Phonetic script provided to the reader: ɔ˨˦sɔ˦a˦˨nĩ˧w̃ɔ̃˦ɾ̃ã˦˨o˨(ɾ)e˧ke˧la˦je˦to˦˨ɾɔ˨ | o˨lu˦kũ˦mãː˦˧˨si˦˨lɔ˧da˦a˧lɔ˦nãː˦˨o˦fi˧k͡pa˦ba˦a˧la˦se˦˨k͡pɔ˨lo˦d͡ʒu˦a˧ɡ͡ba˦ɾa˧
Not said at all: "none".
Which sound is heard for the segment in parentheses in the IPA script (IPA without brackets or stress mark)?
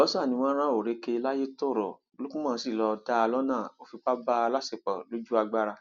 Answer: ɾ